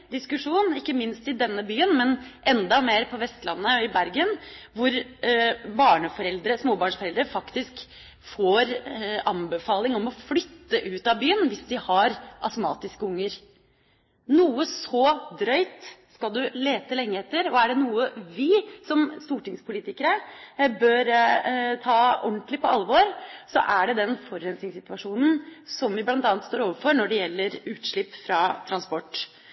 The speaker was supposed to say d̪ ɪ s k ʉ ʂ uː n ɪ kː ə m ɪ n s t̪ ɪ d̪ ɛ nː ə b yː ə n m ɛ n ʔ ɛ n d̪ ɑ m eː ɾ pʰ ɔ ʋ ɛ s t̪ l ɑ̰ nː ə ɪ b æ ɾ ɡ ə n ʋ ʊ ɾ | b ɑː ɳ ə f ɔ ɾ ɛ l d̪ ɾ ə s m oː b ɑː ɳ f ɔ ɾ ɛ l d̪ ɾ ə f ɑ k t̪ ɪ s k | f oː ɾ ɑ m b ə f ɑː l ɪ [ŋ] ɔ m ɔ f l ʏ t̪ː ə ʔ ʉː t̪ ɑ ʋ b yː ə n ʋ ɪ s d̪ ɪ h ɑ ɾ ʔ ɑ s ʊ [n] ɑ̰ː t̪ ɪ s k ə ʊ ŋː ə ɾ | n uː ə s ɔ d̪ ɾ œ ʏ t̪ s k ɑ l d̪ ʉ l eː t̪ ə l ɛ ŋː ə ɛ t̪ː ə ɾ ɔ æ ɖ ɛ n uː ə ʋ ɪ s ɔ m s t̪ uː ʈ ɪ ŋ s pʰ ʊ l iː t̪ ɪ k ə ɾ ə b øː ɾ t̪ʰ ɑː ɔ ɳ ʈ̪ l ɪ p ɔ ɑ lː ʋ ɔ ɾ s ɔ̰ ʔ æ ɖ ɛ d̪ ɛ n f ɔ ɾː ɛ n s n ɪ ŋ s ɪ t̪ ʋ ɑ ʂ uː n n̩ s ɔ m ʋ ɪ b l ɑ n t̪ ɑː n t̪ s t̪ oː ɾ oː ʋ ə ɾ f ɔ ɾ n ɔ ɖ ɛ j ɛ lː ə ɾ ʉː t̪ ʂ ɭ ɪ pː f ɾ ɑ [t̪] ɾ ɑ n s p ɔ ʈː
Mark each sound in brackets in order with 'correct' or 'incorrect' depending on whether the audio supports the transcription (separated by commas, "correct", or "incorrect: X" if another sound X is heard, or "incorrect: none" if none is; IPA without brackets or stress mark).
correct, incorrect: m, incorrect: t̪ʰ